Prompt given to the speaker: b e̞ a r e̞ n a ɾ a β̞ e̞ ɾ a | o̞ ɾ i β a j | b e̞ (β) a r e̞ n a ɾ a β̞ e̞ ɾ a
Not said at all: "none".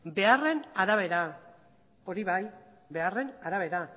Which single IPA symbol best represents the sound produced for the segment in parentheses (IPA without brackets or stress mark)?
none